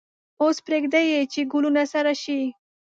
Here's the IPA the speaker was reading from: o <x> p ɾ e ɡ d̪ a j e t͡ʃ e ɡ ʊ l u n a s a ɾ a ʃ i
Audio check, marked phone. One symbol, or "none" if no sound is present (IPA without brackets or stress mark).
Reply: s